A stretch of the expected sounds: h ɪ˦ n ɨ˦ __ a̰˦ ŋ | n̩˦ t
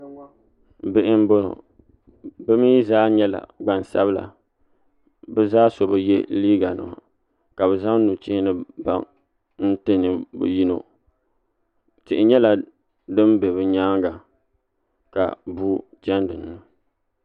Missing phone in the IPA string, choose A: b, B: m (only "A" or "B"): A